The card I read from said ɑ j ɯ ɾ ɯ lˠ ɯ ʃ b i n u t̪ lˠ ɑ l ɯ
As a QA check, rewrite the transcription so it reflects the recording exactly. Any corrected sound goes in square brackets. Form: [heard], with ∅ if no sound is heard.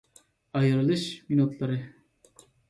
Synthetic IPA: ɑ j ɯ ɾ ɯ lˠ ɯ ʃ [m] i n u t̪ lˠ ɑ [ɾ] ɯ